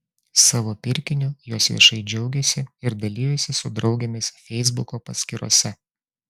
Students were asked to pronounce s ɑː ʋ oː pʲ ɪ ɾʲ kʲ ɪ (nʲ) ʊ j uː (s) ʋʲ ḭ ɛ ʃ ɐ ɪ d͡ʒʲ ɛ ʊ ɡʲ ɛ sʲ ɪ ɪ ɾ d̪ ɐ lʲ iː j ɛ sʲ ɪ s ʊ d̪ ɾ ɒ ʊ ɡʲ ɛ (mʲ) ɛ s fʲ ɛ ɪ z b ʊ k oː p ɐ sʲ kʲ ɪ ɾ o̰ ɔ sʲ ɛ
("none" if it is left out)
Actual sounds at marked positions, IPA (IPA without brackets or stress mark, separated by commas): nʲ, s, mʲ